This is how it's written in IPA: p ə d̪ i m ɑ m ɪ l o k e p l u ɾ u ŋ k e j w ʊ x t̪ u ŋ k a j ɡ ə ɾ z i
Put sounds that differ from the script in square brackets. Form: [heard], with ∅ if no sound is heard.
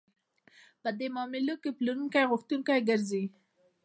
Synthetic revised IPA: p ə d̪ [e] m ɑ m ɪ l o k e p l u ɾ u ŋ k [a] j [ɣ] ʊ x t̪ u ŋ k a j ɡ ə ɾ z i